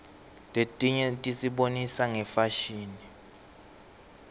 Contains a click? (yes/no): no